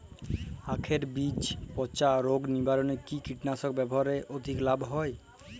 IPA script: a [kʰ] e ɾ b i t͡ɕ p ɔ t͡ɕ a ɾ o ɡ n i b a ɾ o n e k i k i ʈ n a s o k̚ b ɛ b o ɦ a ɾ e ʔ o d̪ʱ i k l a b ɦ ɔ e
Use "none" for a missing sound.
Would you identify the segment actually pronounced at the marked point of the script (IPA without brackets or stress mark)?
kʰ